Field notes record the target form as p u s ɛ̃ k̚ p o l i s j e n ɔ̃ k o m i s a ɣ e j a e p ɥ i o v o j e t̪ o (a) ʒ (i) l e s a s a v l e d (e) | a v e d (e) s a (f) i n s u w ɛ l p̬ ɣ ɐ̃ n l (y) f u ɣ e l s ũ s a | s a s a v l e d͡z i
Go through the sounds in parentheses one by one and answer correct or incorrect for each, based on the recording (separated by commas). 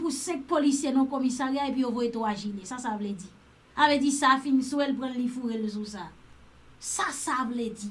correct, correct, incorrect, incorrect, correct, incorrect